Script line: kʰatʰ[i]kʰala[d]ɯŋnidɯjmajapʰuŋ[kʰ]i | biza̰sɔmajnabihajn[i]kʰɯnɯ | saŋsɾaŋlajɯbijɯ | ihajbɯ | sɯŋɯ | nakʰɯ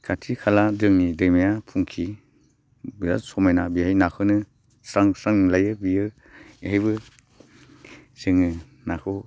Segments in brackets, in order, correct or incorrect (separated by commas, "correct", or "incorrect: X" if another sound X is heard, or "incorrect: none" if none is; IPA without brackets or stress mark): correct, correct, correct, incorrect: a